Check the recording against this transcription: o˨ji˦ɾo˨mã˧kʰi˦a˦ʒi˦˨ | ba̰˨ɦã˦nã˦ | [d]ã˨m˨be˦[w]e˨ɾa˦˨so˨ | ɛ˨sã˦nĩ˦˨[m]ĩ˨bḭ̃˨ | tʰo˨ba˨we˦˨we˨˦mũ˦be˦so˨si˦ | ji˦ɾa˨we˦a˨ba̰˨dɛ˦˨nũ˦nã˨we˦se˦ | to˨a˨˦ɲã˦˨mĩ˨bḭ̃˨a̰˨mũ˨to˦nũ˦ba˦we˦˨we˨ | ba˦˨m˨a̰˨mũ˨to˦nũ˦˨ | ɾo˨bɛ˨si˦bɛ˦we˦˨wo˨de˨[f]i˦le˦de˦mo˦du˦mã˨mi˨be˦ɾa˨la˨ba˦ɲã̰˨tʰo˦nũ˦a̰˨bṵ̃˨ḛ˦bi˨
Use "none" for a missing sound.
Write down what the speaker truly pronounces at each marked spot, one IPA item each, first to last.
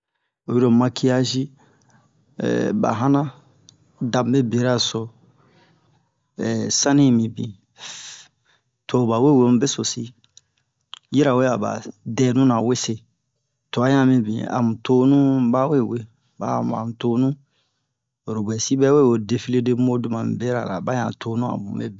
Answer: d, b, m, f

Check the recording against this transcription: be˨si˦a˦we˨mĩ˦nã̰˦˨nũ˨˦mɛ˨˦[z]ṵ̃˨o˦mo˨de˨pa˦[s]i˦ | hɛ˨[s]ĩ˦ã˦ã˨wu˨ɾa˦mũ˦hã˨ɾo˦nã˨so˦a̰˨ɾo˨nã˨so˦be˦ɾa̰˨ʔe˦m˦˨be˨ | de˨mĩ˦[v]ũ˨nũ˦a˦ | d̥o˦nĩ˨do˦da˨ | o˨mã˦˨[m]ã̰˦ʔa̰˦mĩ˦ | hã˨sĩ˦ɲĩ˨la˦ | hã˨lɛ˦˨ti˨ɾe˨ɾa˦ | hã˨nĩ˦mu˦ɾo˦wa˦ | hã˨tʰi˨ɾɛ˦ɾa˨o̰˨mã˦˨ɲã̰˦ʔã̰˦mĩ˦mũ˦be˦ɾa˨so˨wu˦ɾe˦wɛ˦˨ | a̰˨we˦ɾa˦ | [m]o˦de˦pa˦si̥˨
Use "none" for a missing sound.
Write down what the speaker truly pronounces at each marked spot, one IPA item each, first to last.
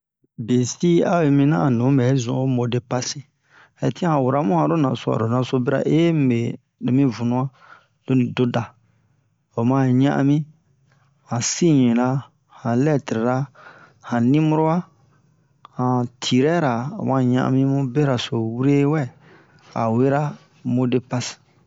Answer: z, s, t, v, ɲ, m

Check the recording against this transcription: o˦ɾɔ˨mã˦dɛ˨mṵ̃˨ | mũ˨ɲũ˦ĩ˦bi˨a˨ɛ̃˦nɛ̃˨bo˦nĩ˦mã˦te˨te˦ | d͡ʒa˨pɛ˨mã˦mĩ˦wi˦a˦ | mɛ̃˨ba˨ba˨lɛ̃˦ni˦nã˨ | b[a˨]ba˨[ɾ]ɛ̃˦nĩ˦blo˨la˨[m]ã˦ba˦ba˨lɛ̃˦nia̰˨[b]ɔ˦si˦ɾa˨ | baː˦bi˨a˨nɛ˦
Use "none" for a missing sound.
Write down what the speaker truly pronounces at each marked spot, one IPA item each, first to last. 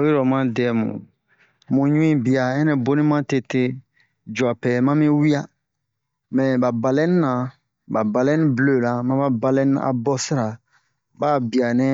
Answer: a˨, l, m, b

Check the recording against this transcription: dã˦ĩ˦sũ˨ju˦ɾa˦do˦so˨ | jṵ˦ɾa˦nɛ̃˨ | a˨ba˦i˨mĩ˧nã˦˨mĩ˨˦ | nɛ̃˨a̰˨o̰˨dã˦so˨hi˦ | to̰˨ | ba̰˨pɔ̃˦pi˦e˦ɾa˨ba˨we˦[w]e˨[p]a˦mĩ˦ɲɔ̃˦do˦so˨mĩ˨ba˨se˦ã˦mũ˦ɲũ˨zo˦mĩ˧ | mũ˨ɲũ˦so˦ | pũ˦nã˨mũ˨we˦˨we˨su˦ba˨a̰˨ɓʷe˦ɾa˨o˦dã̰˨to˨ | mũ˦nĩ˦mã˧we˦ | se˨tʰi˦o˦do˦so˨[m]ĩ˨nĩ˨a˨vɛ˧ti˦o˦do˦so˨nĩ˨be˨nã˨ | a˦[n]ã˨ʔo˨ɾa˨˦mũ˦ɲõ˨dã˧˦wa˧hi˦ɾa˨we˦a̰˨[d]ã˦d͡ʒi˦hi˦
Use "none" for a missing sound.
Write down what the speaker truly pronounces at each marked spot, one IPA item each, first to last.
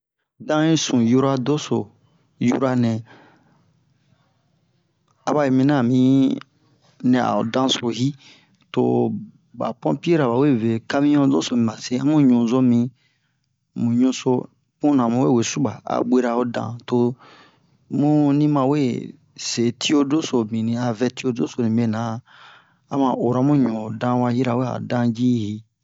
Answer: v, k, m, m, d

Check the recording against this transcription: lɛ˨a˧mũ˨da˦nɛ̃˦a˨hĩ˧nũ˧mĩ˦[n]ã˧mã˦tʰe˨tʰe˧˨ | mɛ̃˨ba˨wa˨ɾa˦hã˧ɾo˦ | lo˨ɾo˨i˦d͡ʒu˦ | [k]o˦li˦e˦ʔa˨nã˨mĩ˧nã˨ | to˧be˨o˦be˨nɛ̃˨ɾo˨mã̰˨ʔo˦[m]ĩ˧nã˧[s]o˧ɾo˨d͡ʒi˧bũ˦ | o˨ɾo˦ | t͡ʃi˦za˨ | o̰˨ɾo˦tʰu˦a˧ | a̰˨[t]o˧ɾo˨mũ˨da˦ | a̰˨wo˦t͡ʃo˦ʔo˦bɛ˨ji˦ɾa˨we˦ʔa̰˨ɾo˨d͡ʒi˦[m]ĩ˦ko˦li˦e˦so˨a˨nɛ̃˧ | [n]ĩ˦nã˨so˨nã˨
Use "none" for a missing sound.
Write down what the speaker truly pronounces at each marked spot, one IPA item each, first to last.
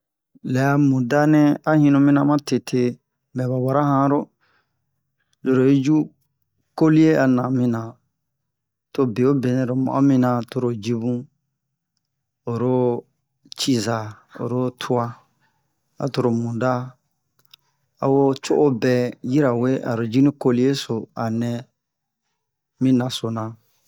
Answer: n, k, m, t, t, n, m

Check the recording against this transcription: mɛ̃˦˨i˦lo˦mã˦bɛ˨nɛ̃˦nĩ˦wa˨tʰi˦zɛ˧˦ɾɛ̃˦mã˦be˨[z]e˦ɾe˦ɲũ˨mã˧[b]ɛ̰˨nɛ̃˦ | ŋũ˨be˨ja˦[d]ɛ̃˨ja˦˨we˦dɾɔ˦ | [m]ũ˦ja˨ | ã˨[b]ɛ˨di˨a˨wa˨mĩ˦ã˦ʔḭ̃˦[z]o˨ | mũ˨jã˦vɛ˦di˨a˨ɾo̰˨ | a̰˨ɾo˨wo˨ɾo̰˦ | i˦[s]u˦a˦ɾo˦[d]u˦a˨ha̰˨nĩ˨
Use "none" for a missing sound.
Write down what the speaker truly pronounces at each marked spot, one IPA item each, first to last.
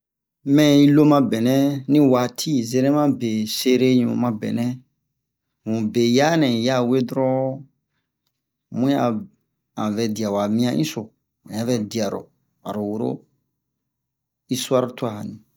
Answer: s, b, n, m, v, s, s, t

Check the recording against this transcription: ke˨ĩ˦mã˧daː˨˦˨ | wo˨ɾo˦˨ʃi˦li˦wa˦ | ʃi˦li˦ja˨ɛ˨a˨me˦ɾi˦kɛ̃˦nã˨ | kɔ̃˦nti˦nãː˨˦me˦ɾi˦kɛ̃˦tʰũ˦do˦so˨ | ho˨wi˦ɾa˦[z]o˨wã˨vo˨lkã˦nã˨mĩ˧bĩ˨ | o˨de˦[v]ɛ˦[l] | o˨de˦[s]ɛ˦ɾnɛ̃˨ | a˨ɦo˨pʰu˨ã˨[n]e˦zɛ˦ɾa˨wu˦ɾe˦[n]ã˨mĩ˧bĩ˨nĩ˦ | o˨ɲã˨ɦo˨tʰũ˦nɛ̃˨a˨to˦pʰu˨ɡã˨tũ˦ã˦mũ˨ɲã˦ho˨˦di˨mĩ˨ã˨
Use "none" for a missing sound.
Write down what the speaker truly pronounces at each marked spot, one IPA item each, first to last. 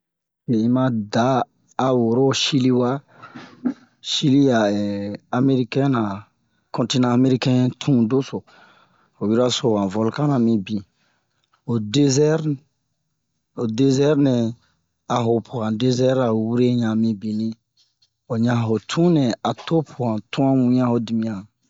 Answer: s, z, ɾ, z, d, ɲ

